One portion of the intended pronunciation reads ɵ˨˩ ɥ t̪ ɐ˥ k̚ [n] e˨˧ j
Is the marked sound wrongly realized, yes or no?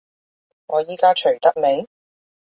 yes